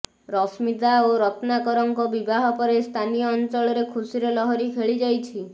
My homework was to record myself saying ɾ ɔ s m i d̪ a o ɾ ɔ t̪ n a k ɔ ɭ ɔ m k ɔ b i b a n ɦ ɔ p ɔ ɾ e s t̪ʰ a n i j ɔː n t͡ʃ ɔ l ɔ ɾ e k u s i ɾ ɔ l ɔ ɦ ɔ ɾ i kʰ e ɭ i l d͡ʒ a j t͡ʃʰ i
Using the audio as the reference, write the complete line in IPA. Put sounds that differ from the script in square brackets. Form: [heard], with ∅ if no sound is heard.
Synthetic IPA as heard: ɾ ɔ s m i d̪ a o ɾ ɔ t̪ n a k ɔ [ɾ] ɔ [ŋ] k ɔ b i b a [∅] ɦ ɔ p ɔ ɾ e s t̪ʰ a n i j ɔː n t͡ʃ ɔ [ɭ] ɔ ɾ e [kʰ] u s i ɾ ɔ l ɔ ɦ ɔ ɾ i kʰ e ɭ i [∅] d͡ʒ a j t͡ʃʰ i